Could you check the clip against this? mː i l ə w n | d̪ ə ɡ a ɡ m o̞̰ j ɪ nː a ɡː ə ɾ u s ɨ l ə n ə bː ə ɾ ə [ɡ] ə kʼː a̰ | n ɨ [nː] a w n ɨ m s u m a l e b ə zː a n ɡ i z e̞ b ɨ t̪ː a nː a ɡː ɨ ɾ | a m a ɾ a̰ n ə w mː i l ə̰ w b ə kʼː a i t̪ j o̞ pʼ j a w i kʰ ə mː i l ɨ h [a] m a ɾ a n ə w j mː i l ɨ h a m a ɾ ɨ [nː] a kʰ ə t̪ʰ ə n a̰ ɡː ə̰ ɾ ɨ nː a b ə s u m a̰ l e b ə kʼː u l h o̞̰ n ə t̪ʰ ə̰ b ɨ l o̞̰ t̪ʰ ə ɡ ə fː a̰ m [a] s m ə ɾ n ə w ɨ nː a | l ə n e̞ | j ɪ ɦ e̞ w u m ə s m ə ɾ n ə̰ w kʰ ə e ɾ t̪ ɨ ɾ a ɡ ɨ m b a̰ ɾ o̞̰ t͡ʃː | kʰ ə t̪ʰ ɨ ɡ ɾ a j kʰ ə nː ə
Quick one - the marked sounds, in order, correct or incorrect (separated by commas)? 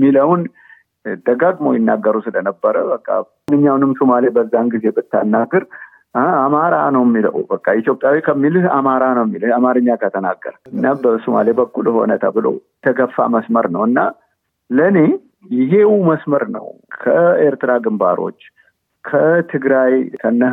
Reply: incorrect, incorrect, correct, incorrect, incorrect